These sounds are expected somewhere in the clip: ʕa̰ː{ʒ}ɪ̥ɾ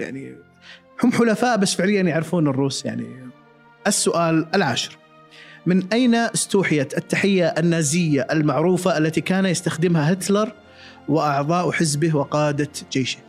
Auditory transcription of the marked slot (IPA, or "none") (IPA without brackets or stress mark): ʃ